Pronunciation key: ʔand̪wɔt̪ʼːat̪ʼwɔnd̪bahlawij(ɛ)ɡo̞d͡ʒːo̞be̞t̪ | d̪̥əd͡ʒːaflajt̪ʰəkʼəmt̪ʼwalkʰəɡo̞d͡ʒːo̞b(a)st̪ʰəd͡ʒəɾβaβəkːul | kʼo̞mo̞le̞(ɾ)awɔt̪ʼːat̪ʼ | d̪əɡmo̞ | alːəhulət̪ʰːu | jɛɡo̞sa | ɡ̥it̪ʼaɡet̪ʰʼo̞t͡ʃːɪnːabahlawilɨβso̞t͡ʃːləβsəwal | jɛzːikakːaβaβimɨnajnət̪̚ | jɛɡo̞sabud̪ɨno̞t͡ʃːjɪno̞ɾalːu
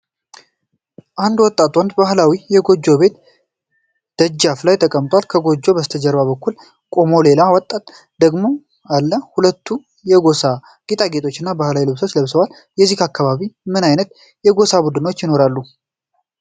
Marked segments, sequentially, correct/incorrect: correct, incorrect: ə, incorrect: l

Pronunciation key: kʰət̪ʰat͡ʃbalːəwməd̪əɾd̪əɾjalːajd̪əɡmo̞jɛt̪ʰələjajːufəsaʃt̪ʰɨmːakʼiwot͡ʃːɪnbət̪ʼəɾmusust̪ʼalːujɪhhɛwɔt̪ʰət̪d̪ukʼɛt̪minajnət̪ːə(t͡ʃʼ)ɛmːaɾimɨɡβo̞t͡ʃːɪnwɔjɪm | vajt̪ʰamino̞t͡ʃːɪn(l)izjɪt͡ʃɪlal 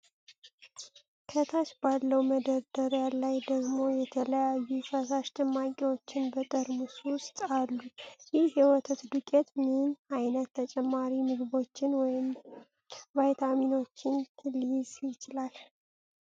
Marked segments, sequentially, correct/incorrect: correct, correct

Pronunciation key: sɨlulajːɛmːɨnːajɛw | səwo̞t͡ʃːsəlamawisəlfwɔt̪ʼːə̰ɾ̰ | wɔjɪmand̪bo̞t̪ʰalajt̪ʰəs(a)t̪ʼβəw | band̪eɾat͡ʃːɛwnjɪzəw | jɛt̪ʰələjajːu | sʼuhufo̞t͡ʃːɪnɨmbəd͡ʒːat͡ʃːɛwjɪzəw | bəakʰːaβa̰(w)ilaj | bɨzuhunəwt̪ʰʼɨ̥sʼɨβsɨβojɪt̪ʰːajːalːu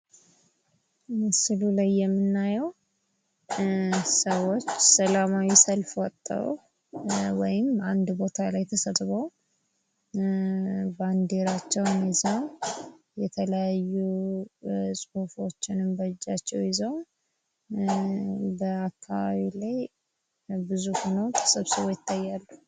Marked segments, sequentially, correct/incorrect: incorrect: ə, incorrect: β

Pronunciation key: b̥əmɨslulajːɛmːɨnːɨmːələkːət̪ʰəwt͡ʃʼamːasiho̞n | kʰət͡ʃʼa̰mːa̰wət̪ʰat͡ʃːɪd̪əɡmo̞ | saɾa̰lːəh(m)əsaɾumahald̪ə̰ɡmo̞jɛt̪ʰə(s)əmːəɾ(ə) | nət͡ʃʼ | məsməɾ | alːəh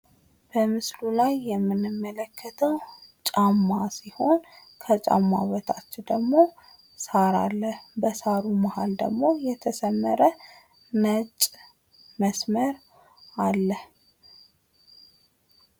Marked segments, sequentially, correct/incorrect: incorrect: b, correct, correct

